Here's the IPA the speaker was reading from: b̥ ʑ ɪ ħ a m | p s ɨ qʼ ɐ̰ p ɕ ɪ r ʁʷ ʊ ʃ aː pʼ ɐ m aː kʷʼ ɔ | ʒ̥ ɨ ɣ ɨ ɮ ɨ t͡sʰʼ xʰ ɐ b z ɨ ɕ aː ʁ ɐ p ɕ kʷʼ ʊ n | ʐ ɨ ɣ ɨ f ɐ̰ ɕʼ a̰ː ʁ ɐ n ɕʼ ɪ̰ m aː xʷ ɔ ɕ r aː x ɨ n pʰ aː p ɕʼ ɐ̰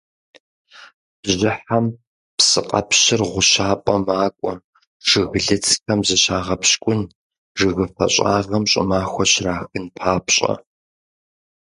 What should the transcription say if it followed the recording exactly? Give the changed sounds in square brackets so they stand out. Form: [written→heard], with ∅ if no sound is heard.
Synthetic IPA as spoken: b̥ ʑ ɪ ħ a m | p s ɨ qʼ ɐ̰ p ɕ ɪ r ʁʷ ʊ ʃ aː pʼ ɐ m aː kʷʼ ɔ | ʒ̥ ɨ ɣ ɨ ɮ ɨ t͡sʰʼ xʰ ɐ [b→m] z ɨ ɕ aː ʁ ɐ p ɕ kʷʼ ʊ n | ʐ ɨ ɣ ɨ f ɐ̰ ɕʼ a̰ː ʁ ɐ [n→m] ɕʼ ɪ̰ m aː xʷ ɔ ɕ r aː x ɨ n pʰ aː p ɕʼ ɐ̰